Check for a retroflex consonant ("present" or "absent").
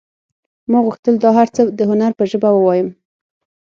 absent